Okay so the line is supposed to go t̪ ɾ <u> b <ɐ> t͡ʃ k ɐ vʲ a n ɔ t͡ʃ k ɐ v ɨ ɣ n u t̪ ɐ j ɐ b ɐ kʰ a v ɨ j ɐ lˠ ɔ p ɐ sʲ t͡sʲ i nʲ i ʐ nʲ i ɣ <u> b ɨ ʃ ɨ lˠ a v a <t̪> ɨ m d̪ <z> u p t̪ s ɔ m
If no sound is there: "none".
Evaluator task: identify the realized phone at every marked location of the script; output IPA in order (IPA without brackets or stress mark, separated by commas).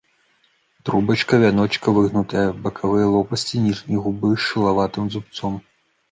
u, ɐ, u, t̪, z